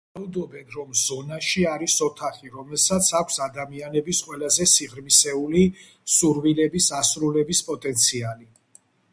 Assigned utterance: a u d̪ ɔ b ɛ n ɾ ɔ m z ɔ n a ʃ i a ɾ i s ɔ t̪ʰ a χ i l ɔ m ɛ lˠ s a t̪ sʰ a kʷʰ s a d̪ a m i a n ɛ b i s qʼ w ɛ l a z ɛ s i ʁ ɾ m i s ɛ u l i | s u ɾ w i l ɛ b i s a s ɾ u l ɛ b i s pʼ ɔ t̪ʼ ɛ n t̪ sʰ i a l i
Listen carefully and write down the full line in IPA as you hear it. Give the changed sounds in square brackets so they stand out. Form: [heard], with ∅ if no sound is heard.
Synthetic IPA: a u d̪ ɔ b ɛ n ɾ ɔ m z ɔ n a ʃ i a ɾ i s ɔ t̪ʰ a χ i [ɾ] ɔ m ɛ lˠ s a t̪ sʰ a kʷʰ s a d̪ a m i a n ɛ b i s qʼ w ɛ l a z ɛ s i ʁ ɾ m i s ɛ u l i | s u ɾ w i l ɛ b i s a s ɾ u l ɛ b i s pʼ ɔ t̪ʼ ɛ n t̪ sʰ i a l i